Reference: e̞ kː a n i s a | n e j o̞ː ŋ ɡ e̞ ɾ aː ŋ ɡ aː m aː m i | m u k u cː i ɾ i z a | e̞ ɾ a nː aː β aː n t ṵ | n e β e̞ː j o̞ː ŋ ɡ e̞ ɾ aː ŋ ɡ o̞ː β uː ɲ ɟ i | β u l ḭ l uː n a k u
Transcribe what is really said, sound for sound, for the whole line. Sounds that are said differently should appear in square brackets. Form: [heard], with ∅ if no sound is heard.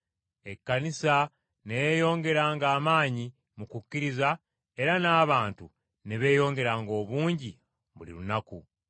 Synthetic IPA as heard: e̞ kː a n i s a | n e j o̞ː ŋ ɡ e̞ ɾ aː ŋ ɡ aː m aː [ɲ] i | m u k u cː i ɾ i z a | e̞ ɾ a [n] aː β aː n t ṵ | n e β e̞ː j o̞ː ŋ ɡ e̞ ɾ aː ŋ ɡ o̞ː β uː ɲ ɟ i | β u l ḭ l [u] n a k u